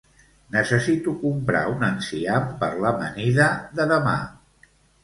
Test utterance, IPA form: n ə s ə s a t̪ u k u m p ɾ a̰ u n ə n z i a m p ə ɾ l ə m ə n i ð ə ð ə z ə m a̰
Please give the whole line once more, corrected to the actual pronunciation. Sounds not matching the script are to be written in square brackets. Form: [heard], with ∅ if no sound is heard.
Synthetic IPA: n ə s ə s [i] t̪ u k u m p ɾ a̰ u n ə n [s] i a m p ə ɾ l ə m ə n i ð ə ð ə [ð] ə m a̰